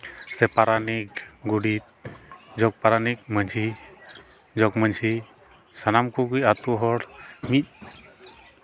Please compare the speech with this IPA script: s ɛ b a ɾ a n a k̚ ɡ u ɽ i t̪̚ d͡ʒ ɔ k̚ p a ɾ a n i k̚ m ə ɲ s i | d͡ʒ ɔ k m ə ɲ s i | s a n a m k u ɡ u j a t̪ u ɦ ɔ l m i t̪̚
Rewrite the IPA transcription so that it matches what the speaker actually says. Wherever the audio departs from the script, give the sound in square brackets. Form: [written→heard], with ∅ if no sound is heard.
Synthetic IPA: s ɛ [b→p] a ɾ a n [a→i] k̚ ɡ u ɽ i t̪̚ d͡ʒ ɔ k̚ p a ɾ a n i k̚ m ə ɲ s i | d͡ʒ ɔ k m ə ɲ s i | s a n a m k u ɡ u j a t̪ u ɦ ɔ [l→ɽ] m i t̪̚

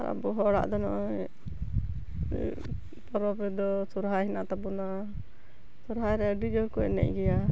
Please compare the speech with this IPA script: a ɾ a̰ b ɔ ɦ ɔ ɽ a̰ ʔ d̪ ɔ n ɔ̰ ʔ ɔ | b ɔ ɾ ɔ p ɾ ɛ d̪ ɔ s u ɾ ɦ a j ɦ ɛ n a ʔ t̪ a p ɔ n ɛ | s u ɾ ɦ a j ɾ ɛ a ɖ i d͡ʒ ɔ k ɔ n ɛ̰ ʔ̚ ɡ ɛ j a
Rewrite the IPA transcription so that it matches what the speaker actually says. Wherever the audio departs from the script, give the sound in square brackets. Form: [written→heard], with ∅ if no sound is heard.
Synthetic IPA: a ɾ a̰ b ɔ ɦ ɔ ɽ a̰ ʔ d̪ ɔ n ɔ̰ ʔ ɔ | [b→p] ɔ ɾ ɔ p ɾ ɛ d̪ ɔ s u ɾ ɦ a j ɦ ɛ n a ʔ t̪ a [p→b] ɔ n [ɛ→a] | s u ɾ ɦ a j ɾ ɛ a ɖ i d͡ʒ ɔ k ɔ n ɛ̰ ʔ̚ ɡ ɛ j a

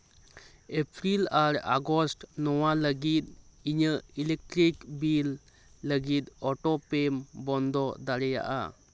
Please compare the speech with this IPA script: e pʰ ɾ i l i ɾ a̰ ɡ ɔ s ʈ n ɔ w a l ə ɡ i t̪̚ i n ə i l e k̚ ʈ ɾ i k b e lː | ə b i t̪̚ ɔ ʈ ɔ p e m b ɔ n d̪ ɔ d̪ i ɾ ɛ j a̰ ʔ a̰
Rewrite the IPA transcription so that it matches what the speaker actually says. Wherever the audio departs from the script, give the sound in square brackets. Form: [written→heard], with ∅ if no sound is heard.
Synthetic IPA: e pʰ ɾ i l [i→a] ɾ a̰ ɡ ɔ s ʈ n ɔ w a l ə ɡ i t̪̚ i [n→ɲ] ə i l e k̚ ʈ ɾ i k b [e→i] lː | ə [b→ɡ] i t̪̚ ɔ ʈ ɔ p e m b ɔ n d̪ ɔ d̪ [i→a] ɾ ɛ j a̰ ʔ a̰

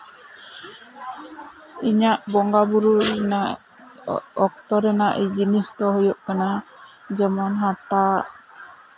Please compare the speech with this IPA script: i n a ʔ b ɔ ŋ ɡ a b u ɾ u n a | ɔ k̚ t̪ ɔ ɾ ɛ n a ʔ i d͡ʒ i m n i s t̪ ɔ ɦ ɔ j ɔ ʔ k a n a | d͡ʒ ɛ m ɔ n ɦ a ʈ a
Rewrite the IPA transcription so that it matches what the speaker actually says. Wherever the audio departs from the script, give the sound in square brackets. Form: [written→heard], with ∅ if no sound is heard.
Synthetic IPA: i [n→ɲ] a ʔ b ɔ ŋ ɡ a b u ɾ u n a | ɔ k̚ t̪ ɔ ɾ ɛ n a ʔ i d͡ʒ i [m→∅] n i s t̪ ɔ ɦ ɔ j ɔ ʔ k a n a | d͡ʒ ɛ m ɔ n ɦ a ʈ a

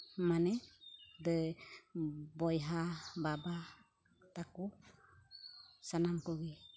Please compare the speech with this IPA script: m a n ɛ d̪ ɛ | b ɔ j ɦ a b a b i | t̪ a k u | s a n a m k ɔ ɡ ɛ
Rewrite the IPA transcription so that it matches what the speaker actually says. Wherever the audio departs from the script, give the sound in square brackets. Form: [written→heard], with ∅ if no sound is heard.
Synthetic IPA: m a n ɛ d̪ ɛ | b ɔ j ɦ a b a b [i→a] | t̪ a k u | s a n a m k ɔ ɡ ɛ

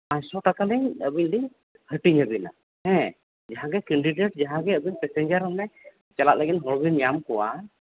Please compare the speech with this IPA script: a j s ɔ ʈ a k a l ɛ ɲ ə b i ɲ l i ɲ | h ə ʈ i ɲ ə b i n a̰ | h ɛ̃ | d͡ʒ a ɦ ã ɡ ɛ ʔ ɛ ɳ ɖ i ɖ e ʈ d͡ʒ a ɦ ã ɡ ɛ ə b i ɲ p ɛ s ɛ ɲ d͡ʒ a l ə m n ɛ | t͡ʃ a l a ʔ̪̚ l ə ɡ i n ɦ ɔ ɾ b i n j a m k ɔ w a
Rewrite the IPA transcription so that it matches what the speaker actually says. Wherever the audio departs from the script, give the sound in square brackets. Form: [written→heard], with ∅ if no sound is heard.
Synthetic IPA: a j s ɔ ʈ a k a l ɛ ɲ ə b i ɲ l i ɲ | h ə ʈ i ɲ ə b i n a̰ | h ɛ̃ | d͡ʒ a ɦ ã ɡ ɛ [ʔ→k] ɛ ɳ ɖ i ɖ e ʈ d͡ʒ a ɦ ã ɡ ɛ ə b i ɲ p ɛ s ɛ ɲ d͡ʒ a [l→ɾ] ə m n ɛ | t͡ʃ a l a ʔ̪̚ l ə ɡ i n ɦ ɔ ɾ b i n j a m k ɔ w a

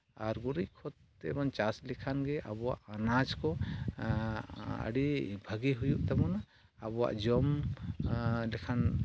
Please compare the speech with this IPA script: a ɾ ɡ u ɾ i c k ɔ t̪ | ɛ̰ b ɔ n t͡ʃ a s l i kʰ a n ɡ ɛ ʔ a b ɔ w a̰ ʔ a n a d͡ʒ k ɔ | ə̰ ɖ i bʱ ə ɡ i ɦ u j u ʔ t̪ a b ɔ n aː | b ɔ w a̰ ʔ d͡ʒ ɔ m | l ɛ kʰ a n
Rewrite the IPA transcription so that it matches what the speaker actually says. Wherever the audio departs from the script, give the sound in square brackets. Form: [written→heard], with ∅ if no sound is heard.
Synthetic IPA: a ɾ ɡ u ɾ i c [k→kʰ] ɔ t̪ | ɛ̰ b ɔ n t͡ʃ a s l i kʰ a n ɡ ɛ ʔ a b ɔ w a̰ ʔ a n a d͡ʒ k ɔ | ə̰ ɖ i bʱ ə ɡ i ɦ u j u ʔ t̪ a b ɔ n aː | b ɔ w a̰ ʔ d͡ʒ ɔ m | l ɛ kʰ a n

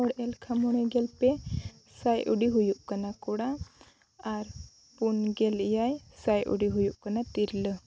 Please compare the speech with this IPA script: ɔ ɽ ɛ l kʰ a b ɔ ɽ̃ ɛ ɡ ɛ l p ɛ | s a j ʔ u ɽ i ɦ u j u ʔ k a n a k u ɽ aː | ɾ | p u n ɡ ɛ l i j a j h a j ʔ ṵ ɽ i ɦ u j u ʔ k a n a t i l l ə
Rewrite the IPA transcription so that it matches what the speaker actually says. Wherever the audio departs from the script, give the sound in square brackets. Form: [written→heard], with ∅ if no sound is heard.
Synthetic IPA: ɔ ɽ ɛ l kʰ a [b→m] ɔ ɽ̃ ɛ ɡ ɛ l p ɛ | s a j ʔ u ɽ i ɦ u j u ʔ k a n a k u ɽ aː | ɾ | p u n ɡ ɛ l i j a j [h→s] a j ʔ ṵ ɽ i ɦ u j u ʔ k a n a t i [l→ɾ] l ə

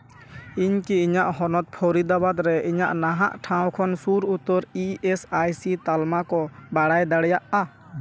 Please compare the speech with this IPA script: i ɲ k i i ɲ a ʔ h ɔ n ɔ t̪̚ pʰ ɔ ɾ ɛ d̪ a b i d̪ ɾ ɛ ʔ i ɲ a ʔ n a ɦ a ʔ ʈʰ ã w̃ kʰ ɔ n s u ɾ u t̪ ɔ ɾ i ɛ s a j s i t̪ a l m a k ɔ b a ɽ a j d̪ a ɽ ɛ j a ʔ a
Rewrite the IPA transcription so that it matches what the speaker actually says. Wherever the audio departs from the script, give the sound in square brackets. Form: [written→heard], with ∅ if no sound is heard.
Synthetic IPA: i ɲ k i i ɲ a ʔ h ɔ n ɔ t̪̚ pʰ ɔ ɾ [ɛ→i] d̪ a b [i→a] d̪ ɾ ɛ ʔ i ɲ a ʔ n a ɦ a ʔ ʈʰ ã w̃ kʰ ɔ n s u ɾ u t̪ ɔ ɾ i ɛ s a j s i t̪ a l m a k ɔ b a ɽ a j d̪ a ɽ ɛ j a ʔ a

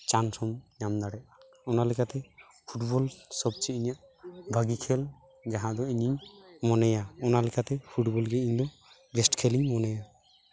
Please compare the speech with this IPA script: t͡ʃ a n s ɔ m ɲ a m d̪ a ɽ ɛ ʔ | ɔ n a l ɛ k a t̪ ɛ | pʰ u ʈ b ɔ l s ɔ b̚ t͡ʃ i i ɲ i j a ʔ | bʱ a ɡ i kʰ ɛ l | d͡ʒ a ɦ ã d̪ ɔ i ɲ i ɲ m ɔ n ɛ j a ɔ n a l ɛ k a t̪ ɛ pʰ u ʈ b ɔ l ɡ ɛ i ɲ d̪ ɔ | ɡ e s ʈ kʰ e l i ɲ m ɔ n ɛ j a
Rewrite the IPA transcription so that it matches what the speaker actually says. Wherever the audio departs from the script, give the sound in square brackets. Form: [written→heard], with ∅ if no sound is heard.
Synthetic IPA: t͡ʃ a n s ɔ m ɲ a m d̪ a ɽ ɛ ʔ | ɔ n a l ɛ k a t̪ ɛ | pʰ u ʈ b ɔ l s ɔ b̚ t͡ʃ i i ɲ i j a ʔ | bʱ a ɡ i kʰ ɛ l | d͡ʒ a ɦ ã d̪ ɔ i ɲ i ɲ m ɔ n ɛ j a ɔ n a l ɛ k a t̪ ɛ pʰ u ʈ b ɔ l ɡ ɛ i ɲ d̪ ɔ | ɡ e s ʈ kʰ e l i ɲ m ɔ n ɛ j a

